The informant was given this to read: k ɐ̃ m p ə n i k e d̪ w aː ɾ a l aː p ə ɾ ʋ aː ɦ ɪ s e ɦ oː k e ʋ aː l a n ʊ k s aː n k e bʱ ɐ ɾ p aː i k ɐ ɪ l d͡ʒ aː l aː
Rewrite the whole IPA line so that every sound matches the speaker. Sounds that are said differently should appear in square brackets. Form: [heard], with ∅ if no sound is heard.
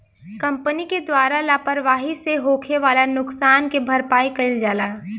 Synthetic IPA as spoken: k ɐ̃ m p ə n i k e d̪ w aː ɾ a l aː p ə ɾ ʋ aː ɦ [i] s e ɦ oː [kʰ] e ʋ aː l a n ʊ k s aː n k e bʱ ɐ ɾ p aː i k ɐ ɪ l d͡ʒ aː l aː

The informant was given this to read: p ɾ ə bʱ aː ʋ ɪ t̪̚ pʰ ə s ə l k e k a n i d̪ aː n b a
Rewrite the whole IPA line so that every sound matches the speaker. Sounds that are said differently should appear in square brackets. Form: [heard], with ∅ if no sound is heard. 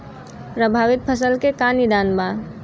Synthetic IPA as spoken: p ɾ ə bʱ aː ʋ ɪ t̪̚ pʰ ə s ə l k e k a n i d̪ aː n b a

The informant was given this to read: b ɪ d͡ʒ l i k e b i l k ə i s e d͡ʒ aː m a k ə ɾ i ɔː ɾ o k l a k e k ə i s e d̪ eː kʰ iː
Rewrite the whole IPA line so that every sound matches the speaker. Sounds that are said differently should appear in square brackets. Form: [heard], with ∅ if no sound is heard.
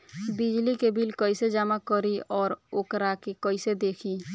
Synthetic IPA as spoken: b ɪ d͡ʒ l i k e b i l k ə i s e d͡ʒ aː m a k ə ɾ i ɔː ɾ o k [ɾ] a k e k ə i s e d̪ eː kʰ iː

